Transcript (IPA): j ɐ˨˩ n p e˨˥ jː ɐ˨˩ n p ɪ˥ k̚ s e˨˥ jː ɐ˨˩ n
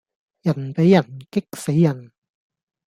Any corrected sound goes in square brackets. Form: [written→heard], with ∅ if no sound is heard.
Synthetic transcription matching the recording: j ɐ˨˩ n p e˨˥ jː ɐ˨˩ n [p→k] ɪ˥ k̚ s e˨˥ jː ɐ˨˩ n